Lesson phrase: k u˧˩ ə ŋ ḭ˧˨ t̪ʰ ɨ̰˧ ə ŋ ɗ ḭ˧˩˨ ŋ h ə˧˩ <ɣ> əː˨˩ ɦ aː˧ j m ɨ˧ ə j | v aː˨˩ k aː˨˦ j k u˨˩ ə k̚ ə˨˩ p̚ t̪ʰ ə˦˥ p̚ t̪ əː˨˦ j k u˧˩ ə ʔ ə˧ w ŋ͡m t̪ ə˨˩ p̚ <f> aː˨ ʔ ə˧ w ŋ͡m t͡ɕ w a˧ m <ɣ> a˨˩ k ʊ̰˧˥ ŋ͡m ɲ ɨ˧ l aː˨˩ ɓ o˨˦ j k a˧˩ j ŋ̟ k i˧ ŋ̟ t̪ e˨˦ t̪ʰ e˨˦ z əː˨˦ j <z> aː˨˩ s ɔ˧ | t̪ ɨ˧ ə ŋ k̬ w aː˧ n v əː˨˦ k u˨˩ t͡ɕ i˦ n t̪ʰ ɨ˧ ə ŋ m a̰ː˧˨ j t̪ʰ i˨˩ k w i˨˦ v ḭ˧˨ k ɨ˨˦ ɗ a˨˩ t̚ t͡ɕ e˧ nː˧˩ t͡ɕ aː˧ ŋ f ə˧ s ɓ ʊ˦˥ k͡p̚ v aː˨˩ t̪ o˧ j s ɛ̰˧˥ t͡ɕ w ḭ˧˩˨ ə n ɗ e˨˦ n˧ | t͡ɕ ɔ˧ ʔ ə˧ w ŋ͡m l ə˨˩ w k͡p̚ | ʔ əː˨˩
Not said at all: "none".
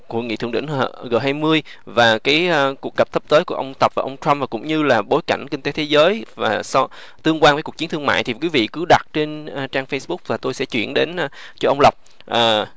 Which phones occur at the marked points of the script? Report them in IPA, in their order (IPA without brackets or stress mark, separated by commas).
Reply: ɣ, v, v, v